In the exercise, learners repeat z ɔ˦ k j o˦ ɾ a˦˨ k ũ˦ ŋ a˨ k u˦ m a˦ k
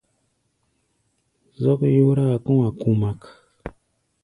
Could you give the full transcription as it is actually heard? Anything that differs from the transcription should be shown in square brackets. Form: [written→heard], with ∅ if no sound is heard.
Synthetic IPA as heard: z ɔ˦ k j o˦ ɾ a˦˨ k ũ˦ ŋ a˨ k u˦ m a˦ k